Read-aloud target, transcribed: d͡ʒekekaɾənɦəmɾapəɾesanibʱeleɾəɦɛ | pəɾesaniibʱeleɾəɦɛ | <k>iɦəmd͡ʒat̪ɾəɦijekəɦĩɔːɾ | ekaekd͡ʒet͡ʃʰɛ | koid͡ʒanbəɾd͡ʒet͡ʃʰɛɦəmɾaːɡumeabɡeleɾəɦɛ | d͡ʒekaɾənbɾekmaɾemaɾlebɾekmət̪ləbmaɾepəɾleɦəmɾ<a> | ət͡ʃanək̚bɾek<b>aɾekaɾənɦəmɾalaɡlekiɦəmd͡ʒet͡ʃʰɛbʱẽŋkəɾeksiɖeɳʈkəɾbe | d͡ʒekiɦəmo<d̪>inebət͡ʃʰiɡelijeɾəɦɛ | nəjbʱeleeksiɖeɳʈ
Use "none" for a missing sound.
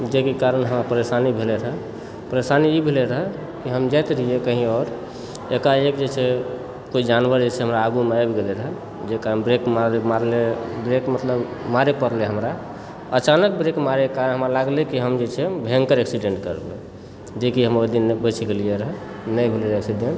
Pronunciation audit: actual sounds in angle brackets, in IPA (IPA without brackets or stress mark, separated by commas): k, a, m, d̪